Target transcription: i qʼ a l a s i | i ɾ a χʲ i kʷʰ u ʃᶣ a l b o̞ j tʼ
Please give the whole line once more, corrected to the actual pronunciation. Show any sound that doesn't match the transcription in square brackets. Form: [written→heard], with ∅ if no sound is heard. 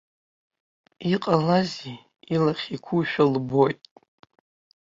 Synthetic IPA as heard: i qʼ a l a [s→z] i | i [ɾ→l] a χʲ i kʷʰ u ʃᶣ a l b o̞ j tʼ